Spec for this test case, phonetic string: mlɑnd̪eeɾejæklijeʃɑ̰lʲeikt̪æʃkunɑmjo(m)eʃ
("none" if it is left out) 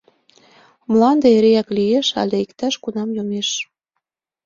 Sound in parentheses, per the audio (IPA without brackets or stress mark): m